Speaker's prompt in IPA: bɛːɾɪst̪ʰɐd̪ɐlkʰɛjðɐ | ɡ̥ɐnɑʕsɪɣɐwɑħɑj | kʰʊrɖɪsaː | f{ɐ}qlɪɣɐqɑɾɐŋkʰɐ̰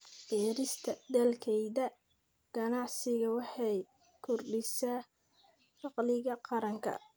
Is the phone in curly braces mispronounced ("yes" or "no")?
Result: yes